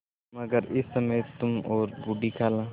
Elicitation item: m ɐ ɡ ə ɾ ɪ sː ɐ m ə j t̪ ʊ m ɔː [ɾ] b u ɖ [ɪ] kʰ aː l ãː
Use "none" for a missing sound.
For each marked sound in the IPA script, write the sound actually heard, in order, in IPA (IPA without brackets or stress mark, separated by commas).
ɾ, i